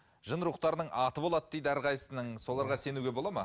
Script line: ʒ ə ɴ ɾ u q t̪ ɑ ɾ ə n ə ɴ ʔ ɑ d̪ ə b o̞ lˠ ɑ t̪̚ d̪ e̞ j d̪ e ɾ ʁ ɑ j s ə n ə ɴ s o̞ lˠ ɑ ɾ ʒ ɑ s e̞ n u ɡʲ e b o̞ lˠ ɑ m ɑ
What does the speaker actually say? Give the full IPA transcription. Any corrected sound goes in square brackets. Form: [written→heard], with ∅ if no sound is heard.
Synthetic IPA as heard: ʒ ə [ɴ→n] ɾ u q t̪ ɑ ɾ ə n ə ɴ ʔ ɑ [d̪→t̪] ə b o̞ lˠ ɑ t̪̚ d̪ e̞ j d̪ [e→æ] ɾ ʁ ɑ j s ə n ə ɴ s o̞ lˠ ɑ ɾ [ʒ→ʁ] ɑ s e̞ n u ɡʲ e b o̞ lˠ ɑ m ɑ